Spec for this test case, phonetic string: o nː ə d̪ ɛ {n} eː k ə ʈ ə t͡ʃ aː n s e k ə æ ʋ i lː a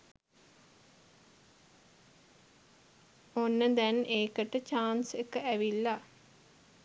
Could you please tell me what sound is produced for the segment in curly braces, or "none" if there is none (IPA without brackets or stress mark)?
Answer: n